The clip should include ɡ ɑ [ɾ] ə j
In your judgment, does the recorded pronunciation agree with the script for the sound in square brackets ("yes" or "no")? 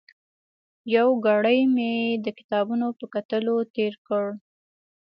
no